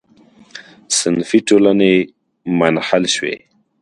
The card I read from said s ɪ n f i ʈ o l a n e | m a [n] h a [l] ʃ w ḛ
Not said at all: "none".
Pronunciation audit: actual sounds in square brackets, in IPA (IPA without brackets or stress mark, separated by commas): n, l